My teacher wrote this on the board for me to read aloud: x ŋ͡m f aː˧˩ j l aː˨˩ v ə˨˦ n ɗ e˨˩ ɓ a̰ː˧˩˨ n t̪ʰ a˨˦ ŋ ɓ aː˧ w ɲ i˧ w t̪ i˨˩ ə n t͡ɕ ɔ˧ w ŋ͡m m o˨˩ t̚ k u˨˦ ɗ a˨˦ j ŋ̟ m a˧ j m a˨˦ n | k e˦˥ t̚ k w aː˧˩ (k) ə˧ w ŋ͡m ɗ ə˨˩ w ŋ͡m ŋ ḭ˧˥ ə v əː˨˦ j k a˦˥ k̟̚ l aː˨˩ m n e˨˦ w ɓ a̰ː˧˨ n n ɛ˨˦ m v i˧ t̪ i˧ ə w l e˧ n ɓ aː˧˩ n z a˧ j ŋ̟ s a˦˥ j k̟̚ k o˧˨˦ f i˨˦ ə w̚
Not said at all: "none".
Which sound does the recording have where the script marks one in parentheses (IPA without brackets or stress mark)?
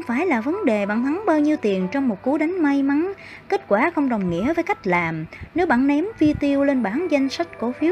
x